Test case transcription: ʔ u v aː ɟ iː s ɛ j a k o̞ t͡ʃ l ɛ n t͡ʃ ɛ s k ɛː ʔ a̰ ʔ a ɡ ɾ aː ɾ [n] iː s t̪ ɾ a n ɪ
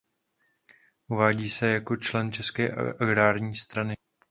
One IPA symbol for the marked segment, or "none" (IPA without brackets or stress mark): ɲ